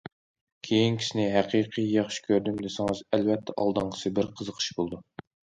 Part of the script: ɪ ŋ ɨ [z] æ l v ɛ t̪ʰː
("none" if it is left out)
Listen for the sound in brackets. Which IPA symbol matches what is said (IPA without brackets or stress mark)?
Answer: z